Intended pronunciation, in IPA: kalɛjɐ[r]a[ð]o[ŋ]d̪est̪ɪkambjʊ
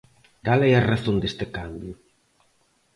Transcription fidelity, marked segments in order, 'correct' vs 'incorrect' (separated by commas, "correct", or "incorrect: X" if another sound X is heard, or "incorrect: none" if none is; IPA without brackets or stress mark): correct, incorrect: θ, incorrect: n